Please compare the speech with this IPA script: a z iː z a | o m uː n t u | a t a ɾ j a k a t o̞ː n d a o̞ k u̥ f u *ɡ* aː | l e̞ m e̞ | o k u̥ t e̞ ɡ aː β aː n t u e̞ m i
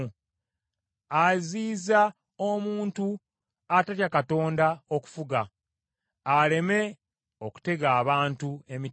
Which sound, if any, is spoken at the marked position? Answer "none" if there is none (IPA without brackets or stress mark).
ɡ